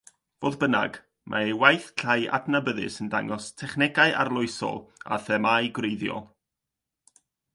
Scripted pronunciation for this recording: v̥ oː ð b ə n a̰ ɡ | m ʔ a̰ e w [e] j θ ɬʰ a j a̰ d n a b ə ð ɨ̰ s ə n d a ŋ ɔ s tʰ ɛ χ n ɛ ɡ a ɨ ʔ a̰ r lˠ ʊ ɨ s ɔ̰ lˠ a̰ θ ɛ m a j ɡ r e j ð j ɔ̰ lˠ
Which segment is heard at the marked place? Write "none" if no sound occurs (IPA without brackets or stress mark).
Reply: a